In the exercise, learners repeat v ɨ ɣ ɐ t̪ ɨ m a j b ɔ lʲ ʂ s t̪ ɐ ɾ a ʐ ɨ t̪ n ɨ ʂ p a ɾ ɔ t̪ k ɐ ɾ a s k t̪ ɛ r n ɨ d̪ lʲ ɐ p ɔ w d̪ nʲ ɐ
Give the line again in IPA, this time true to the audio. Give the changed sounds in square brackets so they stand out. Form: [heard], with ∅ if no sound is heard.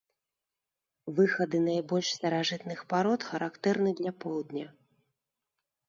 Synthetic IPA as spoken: v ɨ [x] ɐ [d̪] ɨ [n] a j b ɔ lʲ ʂ s t̪ ɐ ɾ a ʐ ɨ t̪ n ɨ [x] p a ɾ ɔ t̪ [x] ɐ ɾ a [∅] k t̪ ɛ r n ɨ d̪ lʲ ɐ p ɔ w d̪ nʲ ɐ